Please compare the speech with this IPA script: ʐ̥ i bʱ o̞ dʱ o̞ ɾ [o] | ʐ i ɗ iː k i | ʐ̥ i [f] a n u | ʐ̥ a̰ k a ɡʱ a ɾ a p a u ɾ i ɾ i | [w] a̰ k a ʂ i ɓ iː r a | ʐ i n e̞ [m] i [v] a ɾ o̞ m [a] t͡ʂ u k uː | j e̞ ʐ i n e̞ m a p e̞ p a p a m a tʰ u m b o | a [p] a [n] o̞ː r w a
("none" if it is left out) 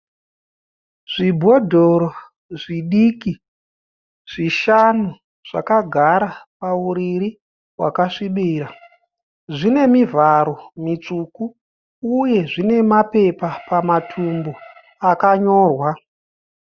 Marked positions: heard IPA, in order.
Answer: o, ʃ, w, m, v, i, k, ɲ

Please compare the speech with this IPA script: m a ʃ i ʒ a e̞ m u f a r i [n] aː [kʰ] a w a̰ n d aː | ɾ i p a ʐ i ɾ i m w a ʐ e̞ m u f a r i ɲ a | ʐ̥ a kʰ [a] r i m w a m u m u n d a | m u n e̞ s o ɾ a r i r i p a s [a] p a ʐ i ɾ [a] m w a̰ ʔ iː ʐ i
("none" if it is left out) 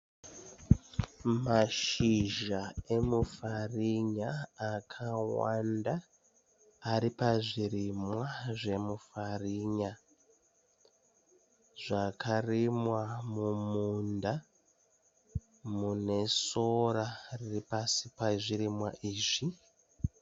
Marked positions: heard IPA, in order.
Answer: ɲ, kʰ, a, i, i

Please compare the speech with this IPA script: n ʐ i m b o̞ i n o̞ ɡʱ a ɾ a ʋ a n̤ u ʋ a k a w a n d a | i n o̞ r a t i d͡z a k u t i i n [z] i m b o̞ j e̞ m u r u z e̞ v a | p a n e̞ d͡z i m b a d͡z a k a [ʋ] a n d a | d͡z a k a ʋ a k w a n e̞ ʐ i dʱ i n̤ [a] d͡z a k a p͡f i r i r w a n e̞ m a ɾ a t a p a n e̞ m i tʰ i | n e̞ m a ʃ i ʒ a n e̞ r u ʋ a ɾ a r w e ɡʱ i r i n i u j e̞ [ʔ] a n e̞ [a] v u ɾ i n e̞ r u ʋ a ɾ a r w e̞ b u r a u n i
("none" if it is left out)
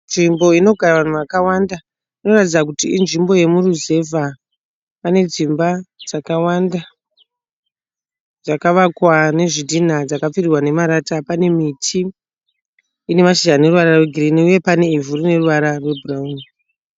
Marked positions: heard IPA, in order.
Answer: ʐ, w, a, p, i

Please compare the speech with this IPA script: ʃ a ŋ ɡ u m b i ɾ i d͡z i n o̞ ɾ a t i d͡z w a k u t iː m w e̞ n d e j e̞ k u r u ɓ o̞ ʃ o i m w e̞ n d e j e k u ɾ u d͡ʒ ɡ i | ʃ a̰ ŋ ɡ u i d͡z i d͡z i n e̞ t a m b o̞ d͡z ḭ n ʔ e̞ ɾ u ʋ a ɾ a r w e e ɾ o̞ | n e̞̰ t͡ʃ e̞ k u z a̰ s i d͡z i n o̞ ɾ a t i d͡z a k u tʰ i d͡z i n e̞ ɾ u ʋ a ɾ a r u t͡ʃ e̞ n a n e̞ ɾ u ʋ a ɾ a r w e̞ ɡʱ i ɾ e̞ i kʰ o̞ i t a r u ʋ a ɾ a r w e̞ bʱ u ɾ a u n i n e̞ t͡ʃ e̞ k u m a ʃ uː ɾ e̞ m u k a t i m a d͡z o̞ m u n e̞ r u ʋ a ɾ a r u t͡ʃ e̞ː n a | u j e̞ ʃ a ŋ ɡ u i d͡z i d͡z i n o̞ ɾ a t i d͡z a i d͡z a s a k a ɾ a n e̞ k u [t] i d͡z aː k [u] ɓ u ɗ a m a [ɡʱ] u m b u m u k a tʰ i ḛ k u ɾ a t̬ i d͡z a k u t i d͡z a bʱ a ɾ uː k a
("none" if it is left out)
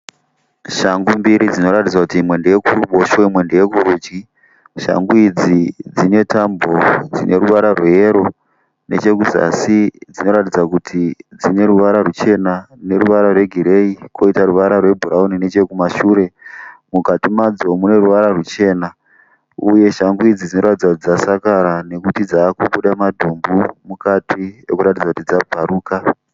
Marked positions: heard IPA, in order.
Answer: t, u, dʱ

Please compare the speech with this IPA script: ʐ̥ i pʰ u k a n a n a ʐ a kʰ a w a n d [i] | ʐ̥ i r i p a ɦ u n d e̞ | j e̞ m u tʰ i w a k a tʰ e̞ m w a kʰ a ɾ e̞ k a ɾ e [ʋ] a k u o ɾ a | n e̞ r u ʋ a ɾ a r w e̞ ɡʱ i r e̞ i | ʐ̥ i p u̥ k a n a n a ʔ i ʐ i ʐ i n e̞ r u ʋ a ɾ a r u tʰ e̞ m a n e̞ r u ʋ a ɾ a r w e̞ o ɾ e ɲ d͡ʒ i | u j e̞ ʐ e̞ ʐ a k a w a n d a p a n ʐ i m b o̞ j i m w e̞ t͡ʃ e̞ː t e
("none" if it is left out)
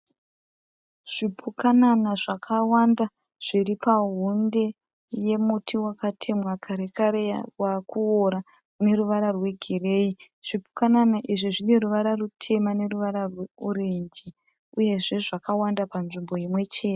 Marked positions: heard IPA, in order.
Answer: a, w

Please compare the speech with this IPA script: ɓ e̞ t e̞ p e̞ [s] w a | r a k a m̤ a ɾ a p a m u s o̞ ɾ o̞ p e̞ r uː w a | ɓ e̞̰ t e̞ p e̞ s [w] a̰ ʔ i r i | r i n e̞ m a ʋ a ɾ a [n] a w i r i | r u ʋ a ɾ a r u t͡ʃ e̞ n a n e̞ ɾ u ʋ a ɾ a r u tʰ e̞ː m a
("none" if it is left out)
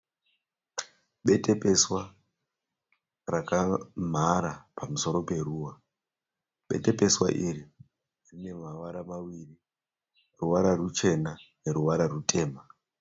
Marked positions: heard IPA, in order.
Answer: s, w, m

